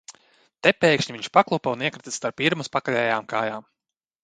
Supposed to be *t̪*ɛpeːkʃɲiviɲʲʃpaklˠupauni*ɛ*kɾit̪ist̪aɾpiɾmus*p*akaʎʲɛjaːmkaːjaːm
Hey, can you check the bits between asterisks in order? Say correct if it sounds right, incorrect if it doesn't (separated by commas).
correct, correct, correct